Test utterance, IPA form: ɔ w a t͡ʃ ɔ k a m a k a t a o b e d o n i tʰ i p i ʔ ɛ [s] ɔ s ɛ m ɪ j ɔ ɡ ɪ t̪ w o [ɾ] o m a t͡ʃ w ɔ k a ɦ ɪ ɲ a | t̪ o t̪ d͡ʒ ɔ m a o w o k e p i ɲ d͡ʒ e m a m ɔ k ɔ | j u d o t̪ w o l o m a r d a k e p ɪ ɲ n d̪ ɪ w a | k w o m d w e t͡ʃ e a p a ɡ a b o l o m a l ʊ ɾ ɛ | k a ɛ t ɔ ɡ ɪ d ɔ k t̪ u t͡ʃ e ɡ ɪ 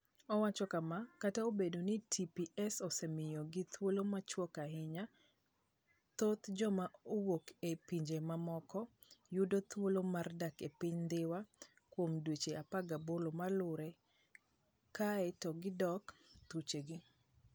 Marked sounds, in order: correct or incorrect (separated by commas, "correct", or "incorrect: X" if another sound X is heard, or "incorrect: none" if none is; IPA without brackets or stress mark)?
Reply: correct, incorrect: l